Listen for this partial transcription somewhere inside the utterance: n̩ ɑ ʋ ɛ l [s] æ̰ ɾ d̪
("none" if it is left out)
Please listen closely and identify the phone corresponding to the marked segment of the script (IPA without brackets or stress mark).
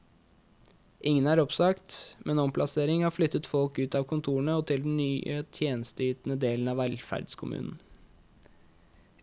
f